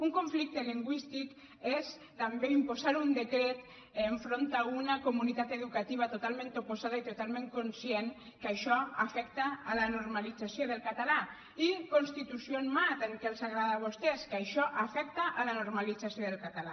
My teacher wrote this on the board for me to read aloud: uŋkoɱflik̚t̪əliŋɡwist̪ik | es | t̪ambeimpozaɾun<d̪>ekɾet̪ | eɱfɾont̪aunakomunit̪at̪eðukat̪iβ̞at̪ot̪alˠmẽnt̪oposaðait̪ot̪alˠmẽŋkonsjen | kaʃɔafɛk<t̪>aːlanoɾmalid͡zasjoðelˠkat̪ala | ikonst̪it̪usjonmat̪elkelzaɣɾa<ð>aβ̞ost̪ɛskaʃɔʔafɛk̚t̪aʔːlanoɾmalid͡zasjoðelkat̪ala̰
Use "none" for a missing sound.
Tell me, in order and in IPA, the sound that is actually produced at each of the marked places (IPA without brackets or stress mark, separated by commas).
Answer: d̪, t̪, ð